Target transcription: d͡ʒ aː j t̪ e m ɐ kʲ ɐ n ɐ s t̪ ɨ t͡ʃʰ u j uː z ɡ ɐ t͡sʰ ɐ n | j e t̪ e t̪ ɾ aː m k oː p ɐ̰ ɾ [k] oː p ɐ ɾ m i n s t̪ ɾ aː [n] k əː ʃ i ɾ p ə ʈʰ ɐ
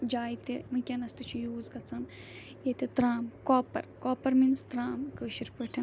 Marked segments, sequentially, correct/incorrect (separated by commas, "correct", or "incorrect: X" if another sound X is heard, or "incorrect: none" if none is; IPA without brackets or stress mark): correct, incorrect: m